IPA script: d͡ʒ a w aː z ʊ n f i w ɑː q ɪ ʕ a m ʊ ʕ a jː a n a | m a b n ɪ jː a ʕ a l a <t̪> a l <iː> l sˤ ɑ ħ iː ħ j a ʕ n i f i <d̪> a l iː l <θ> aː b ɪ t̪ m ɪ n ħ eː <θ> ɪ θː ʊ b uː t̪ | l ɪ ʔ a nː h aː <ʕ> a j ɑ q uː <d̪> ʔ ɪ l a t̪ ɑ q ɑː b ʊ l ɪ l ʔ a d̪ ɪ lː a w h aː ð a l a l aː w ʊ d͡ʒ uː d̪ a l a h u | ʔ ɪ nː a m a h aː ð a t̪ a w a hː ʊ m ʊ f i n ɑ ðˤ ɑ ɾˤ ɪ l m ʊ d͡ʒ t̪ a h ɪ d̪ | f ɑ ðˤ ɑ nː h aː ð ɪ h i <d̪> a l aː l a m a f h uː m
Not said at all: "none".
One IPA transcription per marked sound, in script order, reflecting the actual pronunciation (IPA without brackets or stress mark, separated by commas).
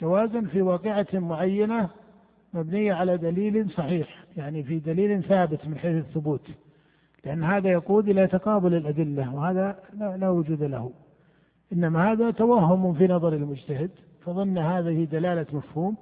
d̪, iː, d̪, θ, θ, ð, d̪, d̪